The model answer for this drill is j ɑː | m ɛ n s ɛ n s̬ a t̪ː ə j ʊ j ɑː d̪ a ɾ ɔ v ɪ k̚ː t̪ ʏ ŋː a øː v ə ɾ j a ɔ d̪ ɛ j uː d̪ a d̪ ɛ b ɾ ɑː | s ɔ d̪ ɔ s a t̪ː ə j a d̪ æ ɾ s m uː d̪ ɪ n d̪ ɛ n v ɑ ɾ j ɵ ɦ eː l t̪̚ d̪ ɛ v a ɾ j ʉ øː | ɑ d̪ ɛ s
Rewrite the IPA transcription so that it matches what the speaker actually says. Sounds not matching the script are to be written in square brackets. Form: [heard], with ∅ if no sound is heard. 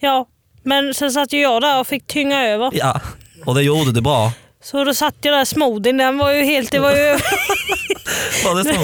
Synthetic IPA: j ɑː | m ɛ n s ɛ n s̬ a t̪ː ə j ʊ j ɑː d̪ [æ] ɾ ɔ [f] ɪ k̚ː [t̪ʰ] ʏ ŋː a øː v ə ɾ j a ɔ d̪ ɛ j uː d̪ [ə] d̪ ɛ b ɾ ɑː | s ɔ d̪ ɔ s a t̪ː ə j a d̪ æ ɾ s m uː d̪ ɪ n d̪ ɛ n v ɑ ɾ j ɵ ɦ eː l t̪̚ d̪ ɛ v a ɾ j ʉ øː | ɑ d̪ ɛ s